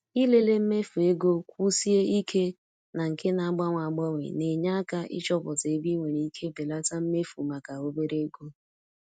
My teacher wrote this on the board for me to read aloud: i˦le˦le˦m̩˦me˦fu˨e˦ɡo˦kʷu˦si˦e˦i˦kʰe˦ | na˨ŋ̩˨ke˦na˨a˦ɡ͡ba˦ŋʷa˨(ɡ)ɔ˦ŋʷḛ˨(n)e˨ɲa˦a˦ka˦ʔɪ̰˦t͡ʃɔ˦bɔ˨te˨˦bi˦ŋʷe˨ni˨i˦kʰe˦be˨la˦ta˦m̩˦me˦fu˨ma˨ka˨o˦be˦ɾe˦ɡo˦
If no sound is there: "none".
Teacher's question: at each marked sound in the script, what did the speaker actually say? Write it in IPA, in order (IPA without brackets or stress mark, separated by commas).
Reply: ɡ͡b, n